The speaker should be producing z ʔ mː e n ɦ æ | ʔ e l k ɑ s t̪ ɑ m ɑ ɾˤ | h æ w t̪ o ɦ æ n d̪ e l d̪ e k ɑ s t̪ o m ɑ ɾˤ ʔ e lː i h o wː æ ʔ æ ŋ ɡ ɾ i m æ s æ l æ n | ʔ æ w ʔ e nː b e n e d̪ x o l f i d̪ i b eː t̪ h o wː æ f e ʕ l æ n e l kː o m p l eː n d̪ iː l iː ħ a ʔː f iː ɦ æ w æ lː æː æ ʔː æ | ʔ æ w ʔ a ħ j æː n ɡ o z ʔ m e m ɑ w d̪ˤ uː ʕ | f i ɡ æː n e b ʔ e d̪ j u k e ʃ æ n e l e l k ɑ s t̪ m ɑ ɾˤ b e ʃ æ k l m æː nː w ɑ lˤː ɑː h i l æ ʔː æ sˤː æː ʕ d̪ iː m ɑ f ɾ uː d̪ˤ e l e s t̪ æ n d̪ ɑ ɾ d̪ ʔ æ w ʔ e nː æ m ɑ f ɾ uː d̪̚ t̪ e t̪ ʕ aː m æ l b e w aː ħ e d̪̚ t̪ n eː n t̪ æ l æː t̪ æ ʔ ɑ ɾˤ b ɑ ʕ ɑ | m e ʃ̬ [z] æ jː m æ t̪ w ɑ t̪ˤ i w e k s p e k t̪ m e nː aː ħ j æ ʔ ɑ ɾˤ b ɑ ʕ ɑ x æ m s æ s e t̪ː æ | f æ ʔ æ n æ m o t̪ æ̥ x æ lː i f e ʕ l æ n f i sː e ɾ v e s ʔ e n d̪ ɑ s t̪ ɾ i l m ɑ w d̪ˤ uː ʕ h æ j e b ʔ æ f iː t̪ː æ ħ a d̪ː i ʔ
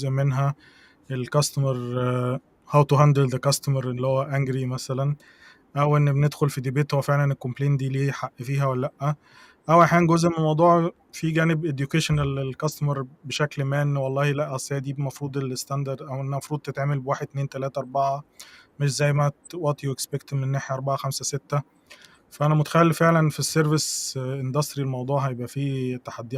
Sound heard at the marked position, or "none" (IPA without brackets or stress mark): z